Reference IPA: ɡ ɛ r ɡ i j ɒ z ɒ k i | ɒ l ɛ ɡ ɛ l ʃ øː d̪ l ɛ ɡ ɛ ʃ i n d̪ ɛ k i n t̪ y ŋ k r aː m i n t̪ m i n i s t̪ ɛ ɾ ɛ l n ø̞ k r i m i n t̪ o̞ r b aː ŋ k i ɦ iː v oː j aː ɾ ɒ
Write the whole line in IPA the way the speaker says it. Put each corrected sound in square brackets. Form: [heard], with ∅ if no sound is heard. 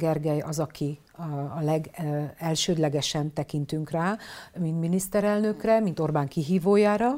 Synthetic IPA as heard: ɡ ɛ r ɡ [ɛ] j ɒ z ɒ k i | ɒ l ɛ ɡ ɛ l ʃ øː d̪ l ɛ ɡ ɛ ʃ [ɛ] n [t̪] ɛ k i n t̪ y ŋ k r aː m i n t̪ m i n i s t̪ ɛ ɾ ɛ l n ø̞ k r [ɛ] m i n t̪ o̞ r b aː ŋ k i ɦ iː v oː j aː ɾ ɒ